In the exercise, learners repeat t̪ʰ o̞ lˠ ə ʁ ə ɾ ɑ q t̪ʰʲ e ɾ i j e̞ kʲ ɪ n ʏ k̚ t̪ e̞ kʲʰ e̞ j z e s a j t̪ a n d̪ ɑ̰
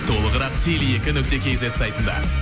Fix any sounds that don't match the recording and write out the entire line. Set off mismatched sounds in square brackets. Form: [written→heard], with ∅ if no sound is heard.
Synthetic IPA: t̪ʰ o̞ lˠ ə ʁ ə ɾ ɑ q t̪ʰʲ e [ɾ→l] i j e̞ kʲ ɪ n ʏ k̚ t̪ e̞ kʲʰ e̞ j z e s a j t̪ [a→ə] n d̪ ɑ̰